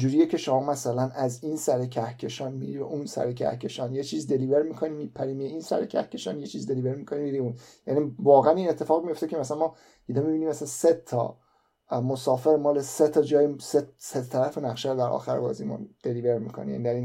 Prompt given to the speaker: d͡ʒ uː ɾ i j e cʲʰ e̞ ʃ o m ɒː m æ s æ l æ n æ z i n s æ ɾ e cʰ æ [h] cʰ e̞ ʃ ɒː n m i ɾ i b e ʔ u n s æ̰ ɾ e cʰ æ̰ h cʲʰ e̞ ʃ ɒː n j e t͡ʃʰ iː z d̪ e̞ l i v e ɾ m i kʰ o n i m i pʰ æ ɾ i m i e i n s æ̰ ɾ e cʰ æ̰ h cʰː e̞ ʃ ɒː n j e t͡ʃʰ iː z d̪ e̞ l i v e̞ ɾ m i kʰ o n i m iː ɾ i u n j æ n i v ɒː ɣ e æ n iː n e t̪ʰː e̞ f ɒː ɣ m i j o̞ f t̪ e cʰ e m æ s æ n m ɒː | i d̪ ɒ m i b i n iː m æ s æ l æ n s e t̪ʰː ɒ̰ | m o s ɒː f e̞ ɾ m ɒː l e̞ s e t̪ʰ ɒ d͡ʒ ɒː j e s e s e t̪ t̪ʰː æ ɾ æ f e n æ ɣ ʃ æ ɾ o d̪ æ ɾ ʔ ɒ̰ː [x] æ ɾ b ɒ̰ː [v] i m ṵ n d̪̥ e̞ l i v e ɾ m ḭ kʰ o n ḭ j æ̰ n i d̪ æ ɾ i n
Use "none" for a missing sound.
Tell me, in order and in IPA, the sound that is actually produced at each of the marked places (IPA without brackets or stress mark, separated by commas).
h, x, z